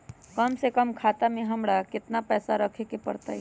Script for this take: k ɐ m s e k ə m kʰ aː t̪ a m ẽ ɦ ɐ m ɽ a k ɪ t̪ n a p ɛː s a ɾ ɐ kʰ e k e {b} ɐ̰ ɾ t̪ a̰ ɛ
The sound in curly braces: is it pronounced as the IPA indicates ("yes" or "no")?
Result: no